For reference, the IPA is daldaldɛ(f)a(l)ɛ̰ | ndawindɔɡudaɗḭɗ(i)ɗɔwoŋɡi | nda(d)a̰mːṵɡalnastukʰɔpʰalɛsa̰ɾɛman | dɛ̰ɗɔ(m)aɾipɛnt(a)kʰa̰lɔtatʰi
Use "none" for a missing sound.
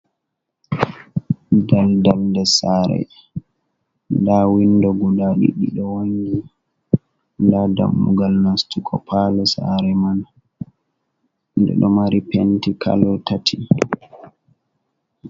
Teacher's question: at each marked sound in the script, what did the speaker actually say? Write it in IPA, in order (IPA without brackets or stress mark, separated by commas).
s, ɾ, i, d, m, i